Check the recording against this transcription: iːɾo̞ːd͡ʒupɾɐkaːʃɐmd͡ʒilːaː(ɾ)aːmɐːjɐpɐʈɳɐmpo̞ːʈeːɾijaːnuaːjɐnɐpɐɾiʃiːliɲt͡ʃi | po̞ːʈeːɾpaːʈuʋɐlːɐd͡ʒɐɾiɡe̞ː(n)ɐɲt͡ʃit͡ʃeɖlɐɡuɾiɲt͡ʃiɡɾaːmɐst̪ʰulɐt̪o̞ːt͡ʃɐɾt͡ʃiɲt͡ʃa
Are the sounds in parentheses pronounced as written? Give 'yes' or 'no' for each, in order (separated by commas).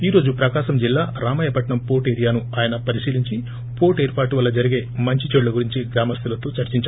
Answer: yes, no